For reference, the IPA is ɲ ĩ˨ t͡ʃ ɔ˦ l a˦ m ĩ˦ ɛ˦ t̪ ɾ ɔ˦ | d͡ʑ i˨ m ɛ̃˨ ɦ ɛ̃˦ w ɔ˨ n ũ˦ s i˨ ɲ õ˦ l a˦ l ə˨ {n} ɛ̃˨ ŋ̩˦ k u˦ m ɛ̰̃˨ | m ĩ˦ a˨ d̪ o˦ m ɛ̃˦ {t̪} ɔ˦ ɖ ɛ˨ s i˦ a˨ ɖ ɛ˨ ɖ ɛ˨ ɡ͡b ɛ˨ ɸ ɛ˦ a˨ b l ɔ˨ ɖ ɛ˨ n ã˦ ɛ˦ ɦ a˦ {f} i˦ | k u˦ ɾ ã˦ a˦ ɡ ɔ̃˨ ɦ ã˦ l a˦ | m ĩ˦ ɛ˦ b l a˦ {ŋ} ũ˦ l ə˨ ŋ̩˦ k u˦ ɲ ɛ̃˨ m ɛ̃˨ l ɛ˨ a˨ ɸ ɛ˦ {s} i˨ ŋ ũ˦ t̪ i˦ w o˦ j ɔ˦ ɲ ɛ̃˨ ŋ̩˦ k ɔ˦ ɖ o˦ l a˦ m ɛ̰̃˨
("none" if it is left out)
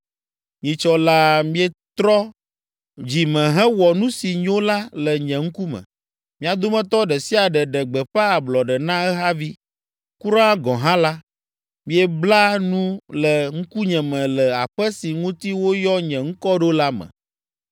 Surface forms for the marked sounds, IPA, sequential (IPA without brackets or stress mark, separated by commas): ɲ, t̪, v, n, s